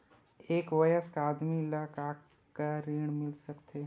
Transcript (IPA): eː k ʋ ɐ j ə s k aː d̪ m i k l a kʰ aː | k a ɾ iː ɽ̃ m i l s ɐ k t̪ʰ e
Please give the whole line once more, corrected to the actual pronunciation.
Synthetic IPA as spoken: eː k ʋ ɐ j ə s k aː d̪ m i l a k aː | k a ɾ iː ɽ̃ m ɪ l s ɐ k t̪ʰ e